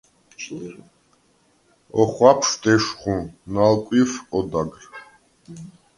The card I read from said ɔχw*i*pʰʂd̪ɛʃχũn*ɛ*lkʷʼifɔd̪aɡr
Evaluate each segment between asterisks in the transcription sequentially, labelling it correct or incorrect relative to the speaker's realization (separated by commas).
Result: incorrect, incorrect